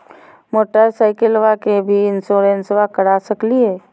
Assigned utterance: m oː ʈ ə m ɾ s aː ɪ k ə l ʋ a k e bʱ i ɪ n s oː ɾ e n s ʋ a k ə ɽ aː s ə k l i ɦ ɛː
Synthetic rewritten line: m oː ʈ ə ɾ s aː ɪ k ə l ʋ a k e bʱ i ɪ n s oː ɾ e n s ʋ a k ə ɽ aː s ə k l i ɦ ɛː